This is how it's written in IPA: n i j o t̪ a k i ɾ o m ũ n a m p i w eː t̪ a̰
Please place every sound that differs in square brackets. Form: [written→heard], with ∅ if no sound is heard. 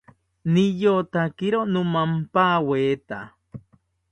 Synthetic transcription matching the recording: n i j o t̪ a k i ɾ o [m→n] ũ [n→m] a m p [i→a] w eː t̪ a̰

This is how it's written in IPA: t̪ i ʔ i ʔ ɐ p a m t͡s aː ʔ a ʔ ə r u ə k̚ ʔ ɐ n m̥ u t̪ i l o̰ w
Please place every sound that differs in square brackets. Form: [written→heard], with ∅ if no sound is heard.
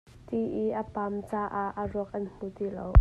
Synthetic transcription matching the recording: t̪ i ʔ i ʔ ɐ p a m t͡s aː ʔ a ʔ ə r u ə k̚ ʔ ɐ n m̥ u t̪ i l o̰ w

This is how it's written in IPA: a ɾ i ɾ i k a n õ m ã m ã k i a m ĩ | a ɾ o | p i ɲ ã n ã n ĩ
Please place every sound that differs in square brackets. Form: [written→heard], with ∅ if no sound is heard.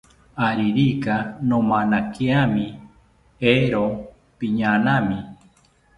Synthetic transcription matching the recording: a ɾ i ɾ i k a n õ m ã [m→n] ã k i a m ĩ | [a→e] ɾ o | p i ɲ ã n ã [n→m] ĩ

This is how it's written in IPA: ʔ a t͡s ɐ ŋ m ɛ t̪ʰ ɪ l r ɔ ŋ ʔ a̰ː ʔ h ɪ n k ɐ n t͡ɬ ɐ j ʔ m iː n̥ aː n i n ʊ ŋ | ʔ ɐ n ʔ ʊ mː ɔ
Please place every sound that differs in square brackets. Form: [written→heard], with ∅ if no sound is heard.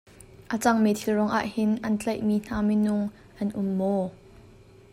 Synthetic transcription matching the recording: ʔ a t͡s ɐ ŋ m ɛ t̪ʰ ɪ l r ɔ ŋ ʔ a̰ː ʔ h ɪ n [k→ʔ] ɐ n t͡ɬ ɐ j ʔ m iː n̥ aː [n→m] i n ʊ ŋ | ʔ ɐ n ʔ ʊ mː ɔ

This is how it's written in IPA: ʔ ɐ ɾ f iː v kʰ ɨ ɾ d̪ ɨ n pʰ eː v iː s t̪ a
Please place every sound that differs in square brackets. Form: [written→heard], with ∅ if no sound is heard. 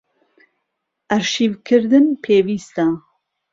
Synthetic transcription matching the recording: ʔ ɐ ɾ [f→ʃ] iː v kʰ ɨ ɾ d̪ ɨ n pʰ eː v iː s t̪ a

